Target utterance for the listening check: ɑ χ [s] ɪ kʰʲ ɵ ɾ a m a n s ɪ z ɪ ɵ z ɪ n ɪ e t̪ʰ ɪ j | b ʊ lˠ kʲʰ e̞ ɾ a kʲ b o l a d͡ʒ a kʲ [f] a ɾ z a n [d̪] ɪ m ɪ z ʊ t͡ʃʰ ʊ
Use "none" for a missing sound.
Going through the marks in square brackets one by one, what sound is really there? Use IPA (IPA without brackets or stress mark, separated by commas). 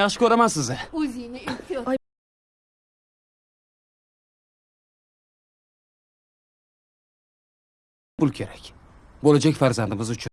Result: ʃ, f, d̪